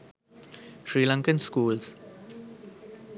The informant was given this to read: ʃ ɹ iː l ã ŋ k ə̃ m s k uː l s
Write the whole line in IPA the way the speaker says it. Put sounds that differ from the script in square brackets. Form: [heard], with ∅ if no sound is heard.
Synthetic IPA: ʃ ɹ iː l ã ŋ k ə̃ [n] s k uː l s